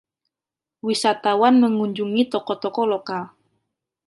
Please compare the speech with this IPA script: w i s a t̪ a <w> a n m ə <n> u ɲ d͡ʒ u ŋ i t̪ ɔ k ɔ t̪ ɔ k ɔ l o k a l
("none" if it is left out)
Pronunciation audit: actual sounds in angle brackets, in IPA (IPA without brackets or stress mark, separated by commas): w, ŋ